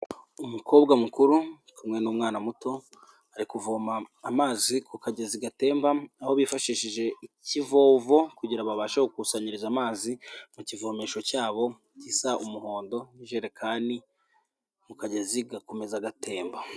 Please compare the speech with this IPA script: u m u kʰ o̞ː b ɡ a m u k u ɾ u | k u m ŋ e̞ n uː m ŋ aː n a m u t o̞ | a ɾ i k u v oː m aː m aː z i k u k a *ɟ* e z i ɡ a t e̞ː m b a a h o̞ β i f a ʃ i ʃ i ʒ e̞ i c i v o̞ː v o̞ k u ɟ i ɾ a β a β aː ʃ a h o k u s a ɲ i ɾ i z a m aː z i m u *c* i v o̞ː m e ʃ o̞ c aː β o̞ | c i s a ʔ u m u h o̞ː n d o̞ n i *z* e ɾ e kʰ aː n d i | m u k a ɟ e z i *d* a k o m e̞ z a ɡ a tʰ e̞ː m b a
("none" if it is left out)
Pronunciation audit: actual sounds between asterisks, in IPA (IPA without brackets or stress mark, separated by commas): ɟ, c, ʒ, ɡ